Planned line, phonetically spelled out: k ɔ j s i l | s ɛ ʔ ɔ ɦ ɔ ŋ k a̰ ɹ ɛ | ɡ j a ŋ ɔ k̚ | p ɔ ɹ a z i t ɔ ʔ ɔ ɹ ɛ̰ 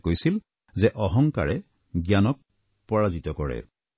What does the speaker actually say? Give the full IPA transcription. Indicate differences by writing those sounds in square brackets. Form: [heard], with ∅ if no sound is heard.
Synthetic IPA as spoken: k [o] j s i l | [z] ɛ ʔ ɔ ɦ ɔ ŋ k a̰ ɹ ɛ | ɡ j a [n] ɔ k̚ | p ɔ ɹ a z i t ɔ [k] ɔ ɹ ɛ̰